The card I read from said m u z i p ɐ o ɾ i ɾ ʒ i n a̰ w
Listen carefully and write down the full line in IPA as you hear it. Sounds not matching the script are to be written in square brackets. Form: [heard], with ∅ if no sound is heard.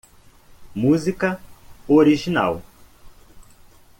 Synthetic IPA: m u z i [k] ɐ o ɾ i [∅] ʒ i n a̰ w